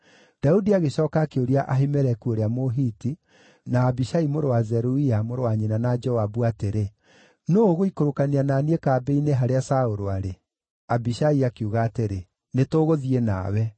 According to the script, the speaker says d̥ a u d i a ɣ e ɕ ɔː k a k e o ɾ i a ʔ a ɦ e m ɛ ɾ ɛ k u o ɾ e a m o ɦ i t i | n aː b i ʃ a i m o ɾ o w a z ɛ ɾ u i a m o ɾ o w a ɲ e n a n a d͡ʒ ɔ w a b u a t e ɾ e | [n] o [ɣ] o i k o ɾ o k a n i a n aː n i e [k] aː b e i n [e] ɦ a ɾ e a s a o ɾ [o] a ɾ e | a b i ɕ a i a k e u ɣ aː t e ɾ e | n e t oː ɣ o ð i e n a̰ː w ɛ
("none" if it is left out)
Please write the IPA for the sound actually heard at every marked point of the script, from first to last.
n, ɣ, k, e, o

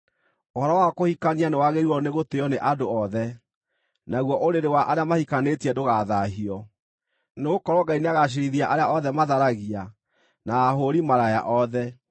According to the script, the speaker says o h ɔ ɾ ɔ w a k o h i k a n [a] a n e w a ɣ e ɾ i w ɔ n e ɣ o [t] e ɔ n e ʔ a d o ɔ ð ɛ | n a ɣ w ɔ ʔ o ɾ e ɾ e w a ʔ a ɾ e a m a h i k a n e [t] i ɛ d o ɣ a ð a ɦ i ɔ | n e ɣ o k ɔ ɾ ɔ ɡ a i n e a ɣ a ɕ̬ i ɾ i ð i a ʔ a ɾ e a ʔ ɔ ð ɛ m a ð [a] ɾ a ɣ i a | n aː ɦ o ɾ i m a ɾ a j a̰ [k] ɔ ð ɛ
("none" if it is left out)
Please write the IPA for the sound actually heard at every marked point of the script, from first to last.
i, t, t, a, ʔ

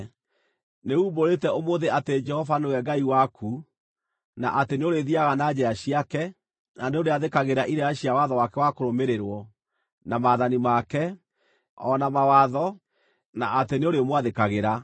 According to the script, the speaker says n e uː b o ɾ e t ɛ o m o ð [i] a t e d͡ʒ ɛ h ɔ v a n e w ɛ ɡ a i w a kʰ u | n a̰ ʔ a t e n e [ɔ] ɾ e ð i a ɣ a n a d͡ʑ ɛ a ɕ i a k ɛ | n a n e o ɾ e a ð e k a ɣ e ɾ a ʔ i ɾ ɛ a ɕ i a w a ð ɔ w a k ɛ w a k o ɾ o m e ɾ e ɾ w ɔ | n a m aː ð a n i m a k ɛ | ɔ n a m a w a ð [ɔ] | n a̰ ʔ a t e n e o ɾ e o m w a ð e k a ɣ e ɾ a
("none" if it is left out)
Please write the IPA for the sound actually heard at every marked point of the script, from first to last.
e, o, ɔ

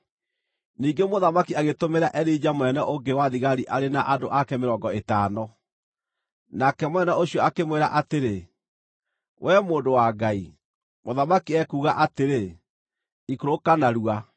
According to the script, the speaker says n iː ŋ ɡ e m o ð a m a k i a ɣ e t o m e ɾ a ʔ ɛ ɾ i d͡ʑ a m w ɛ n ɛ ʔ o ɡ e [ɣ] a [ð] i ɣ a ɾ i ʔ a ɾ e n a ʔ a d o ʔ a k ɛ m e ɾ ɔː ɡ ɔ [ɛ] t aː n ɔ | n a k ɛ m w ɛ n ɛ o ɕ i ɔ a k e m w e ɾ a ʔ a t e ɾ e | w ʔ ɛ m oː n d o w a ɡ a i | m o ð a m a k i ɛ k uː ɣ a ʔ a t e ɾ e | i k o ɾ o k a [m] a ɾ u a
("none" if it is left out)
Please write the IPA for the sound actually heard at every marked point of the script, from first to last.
w, ð, e, n

